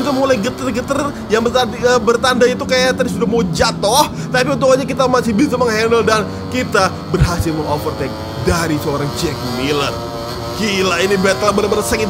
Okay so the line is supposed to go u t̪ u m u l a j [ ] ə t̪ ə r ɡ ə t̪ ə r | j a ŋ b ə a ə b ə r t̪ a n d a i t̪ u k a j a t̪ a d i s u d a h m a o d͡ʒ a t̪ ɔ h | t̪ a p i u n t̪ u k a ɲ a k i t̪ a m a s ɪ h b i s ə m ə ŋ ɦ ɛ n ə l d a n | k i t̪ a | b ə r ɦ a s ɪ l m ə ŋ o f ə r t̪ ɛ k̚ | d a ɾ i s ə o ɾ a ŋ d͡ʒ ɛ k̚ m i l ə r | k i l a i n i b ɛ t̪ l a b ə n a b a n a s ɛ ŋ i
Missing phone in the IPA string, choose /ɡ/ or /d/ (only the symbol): ɡ